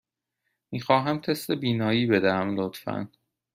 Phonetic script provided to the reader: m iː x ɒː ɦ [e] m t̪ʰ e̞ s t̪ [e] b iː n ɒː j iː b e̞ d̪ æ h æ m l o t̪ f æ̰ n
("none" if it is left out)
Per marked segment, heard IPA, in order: æ, e

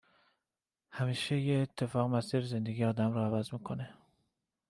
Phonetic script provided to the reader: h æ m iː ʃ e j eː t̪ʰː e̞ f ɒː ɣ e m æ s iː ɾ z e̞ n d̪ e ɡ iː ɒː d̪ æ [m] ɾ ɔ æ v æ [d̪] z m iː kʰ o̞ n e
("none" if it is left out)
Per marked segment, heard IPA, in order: m, none

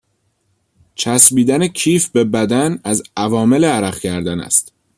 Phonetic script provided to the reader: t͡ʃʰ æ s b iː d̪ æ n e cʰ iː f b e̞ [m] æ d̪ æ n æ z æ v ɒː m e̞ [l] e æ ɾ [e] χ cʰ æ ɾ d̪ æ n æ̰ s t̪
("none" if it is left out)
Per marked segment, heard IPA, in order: b, l, æ

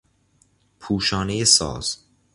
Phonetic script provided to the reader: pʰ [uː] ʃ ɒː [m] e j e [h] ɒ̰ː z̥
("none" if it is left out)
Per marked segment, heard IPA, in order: uː, n, s

